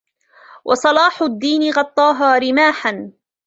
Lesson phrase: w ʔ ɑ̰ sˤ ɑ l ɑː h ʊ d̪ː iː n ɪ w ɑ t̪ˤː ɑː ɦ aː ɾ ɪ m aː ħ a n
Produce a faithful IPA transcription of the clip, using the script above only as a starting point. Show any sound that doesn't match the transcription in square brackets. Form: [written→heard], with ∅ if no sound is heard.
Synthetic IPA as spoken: w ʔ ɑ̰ sˤ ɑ l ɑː [h→ħ] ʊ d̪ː iː n ɪ [w→ɣ] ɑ t̪ˤː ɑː ɦ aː ɾ ɪ m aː ħ a n